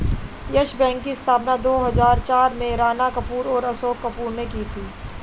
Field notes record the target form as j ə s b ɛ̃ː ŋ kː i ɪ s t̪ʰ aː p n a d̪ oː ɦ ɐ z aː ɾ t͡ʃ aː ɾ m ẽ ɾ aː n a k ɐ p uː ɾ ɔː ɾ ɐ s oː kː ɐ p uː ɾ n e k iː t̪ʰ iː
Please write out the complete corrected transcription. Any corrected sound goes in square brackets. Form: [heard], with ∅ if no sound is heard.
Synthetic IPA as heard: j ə [ʃ] b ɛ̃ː ŋ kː i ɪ s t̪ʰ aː p n a d̪ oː ɦ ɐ z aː ɾ t͡ʃ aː ɾ m ẽ ɾ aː n a k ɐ p uː ɾ ɔː ɾ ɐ s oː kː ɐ p uː ɾ n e k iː t̪ʰ iː